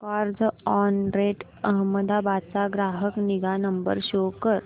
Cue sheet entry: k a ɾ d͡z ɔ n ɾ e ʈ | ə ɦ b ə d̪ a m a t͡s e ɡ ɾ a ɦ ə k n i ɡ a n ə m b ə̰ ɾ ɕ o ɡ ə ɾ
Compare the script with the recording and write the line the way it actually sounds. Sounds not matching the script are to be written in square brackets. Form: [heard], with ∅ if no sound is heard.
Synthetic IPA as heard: k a ɾ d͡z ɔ n ɾ e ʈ | ə ɦ [m] ə d̪ a [b] a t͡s [a] ɡ ɾ a ɦ ə k n i ɡ a n ə m b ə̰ ɾ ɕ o [k] ə ɾ